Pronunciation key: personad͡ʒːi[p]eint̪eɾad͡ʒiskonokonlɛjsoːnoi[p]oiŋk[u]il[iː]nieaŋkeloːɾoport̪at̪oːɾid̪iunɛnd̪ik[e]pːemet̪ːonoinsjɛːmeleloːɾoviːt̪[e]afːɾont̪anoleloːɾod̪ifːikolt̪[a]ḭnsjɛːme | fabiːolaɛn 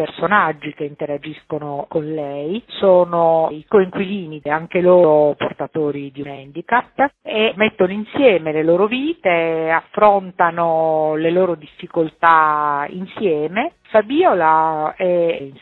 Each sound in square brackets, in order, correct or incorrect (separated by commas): incorrect, incorrect, incorrect, correct, incorrect, correct, correct